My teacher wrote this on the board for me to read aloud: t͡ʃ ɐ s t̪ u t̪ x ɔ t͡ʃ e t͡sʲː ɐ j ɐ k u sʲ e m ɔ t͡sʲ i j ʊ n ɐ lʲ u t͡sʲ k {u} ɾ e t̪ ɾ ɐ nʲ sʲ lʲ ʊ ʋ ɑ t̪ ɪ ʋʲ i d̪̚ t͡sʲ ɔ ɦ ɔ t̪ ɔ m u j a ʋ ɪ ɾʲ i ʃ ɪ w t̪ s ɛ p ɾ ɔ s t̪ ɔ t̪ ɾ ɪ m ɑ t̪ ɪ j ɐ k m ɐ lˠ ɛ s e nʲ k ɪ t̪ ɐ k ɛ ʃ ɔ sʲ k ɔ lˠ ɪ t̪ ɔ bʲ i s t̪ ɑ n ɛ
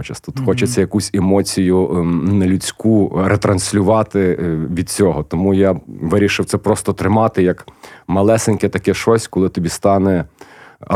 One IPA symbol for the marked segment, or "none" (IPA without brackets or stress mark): u